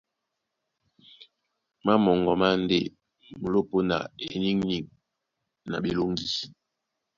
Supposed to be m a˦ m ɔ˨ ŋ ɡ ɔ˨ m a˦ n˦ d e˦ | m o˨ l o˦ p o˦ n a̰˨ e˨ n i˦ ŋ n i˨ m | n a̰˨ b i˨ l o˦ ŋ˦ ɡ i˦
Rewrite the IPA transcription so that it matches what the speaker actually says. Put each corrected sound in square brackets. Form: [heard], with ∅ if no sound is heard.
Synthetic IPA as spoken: m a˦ m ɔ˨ ŋ ɡ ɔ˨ m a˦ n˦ d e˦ | m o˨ l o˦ p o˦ n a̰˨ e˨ n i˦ ŋ n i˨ [ŋ] | n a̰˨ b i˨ l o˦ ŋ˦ ɡ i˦